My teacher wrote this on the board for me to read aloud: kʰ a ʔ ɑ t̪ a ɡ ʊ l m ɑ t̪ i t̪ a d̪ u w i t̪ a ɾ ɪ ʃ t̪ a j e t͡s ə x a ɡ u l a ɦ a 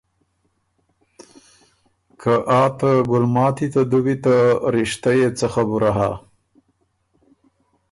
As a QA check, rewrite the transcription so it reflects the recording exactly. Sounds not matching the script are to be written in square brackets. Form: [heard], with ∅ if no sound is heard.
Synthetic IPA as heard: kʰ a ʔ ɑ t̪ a ɡ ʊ l m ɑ t̪ i t̪ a d̪ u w i t̪ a ɾ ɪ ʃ t̪ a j e t͡s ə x a [b] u [ɾ] a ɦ a